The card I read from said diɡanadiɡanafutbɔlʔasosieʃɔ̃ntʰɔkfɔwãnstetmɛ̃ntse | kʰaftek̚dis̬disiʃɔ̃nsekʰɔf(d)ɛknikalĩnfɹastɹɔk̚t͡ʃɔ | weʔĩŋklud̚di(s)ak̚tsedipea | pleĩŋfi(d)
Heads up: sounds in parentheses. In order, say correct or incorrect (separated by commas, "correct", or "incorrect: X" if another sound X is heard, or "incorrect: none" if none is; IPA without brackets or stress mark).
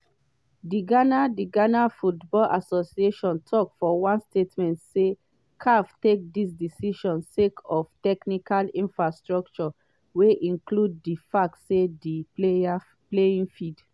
incorrect: t, incorrect: f, correct